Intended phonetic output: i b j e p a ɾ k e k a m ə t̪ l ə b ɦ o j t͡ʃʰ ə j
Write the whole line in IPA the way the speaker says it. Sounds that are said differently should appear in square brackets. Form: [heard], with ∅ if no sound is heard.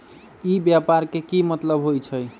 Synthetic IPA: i b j [a] p a ɾ k e k [i] m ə t̪ l ə b ɦ o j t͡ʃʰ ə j